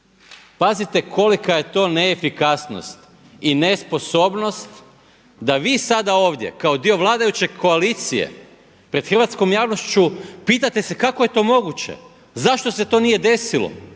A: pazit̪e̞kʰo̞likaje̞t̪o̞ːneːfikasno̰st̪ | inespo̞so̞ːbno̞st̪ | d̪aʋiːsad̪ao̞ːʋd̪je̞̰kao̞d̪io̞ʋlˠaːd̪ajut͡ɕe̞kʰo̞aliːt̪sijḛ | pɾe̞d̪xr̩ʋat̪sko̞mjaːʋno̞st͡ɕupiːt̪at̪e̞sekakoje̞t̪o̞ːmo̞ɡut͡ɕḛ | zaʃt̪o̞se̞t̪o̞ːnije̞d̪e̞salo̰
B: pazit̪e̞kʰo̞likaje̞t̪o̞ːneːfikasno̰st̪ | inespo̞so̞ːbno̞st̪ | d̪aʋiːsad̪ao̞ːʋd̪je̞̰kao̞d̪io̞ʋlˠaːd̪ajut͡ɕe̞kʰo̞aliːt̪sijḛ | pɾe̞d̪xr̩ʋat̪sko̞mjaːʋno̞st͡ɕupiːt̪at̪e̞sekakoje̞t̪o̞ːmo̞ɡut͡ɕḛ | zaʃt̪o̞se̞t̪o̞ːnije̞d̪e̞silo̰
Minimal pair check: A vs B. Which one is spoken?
B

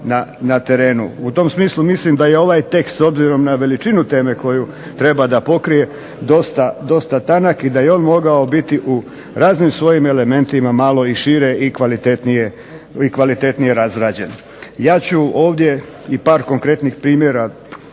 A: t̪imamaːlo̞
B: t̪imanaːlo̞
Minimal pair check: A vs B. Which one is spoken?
A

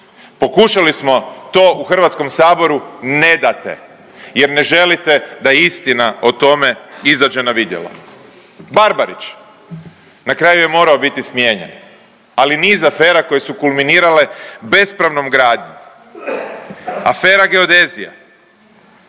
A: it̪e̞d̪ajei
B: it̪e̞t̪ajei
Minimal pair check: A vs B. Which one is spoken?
A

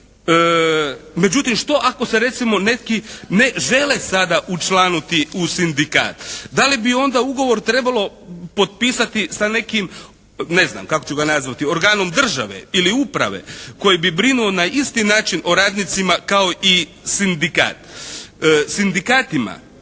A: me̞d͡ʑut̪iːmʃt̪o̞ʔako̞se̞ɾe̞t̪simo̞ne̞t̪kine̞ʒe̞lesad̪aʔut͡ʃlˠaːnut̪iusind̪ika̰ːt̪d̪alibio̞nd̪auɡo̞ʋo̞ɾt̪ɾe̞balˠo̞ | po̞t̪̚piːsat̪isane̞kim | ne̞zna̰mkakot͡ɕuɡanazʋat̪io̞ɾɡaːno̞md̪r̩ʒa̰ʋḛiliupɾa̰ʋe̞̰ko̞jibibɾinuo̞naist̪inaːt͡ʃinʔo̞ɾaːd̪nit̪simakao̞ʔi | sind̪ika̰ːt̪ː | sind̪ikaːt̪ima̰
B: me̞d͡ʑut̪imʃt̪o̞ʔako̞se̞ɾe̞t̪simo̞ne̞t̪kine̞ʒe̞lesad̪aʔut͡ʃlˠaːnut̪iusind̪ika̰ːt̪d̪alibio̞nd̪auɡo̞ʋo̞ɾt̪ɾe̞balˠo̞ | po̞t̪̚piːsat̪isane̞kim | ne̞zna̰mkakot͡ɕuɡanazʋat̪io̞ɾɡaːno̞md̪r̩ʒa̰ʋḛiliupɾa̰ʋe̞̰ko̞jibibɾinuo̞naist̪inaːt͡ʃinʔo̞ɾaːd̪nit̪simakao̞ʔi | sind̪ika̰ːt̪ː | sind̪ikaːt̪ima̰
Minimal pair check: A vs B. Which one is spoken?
B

